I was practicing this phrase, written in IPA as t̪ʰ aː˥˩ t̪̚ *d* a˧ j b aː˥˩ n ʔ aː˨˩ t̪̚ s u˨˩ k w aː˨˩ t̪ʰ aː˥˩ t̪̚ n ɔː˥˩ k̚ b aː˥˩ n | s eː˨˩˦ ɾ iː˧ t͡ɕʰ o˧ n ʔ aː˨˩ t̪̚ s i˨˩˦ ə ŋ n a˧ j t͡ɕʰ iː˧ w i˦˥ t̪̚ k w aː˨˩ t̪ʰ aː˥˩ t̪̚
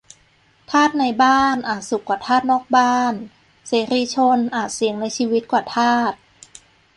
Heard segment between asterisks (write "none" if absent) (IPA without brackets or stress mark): n